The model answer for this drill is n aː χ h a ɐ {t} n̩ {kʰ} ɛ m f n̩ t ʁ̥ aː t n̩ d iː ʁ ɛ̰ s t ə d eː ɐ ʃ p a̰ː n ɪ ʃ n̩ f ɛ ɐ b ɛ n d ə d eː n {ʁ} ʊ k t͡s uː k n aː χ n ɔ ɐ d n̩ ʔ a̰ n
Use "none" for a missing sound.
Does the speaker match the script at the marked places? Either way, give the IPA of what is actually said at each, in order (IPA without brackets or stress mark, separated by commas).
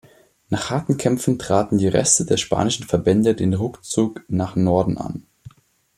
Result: t, kʰ, ʁ